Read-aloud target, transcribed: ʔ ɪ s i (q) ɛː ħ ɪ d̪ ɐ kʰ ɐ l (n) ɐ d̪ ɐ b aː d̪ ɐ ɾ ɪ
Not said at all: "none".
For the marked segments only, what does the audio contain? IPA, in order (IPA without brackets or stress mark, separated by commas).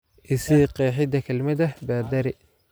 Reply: q, m